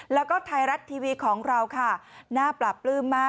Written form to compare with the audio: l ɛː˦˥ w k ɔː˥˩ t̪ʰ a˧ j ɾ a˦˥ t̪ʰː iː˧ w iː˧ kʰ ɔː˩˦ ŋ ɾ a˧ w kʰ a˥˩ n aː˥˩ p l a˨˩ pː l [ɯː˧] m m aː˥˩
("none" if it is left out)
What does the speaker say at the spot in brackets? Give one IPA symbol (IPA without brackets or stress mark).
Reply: ɯː˥˩